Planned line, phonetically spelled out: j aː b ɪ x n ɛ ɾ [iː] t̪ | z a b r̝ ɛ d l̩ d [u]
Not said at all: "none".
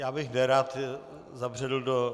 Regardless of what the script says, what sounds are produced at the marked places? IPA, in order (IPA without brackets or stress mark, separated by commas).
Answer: aː, o